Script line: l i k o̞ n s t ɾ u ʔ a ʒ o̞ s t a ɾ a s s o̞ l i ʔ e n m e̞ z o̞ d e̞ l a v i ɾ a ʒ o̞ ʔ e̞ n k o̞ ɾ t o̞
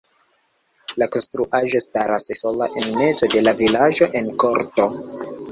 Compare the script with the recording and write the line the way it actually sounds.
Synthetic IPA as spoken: l a k o̞ n s t ɾ u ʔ a ʒ o̞ s t a ɾ a s s o̞ l a ʔ e n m e̞ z o̞ d e̞ l a v i l a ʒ o̞ ʔ e̞ n k o̞ ɾ t o̞